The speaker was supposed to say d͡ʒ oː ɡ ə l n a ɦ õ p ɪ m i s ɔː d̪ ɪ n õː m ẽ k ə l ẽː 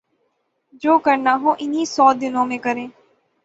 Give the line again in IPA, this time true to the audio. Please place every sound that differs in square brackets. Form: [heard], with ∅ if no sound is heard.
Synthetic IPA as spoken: d͡ʒ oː [k] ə [ɾ] n a ɦ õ [ʔ] ɪ [n] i s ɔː d̪ ɪ n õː m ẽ k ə [ɾ] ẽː